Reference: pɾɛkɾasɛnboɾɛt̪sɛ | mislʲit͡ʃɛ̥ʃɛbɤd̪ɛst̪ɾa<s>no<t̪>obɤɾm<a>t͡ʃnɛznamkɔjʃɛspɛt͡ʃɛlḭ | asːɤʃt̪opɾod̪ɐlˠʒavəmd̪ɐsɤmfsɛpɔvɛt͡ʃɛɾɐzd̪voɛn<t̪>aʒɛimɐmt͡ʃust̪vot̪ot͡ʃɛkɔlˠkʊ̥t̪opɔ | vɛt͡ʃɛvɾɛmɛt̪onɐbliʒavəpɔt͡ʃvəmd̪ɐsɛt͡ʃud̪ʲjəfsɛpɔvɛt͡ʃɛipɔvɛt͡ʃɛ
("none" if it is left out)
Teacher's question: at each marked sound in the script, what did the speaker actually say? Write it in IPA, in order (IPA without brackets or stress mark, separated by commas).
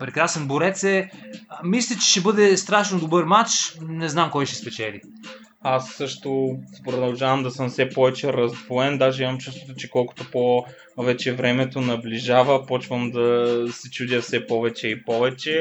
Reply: ʃ, d̪, a, d̪